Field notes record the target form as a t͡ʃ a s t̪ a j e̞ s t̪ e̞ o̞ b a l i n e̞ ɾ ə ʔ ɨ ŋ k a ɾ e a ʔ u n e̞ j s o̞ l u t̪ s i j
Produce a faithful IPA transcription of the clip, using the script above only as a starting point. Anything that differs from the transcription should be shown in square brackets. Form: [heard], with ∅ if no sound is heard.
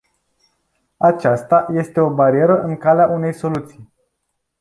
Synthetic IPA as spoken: a t͡ʃ a s t̪ a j e̞ s t̪ e̞ o̞ b a [ɾ] i [∅] e̞ ɾ ə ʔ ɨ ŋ k a [l] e a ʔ u n e̞ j s o̞ l u t̪ s i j